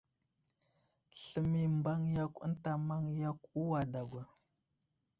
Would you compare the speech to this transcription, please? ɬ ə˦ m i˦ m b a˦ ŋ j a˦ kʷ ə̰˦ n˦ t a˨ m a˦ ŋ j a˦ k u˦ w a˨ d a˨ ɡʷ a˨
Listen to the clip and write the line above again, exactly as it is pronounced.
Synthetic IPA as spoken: ɬ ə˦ m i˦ m b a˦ ŋ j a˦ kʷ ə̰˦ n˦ t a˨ m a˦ ŋ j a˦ k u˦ w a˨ d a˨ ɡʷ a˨